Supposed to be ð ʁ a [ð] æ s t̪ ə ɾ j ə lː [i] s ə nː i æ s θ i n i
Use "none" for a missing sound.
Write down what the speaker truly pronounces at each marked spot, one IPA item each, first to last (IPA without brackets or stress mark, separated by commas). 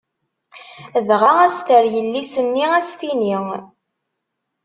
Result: none, i